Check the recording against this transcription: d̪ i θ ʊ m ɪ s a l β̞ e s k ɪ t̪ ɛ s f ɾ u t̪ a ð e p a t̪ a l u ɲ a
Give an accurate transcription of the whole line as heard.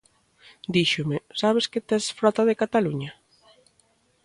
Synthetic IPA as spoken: d̪ i ʃ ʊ m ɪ s a β̞ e s k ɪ t̪ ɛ s f ɾ ɔ t̪ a ð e k a t̪ a l u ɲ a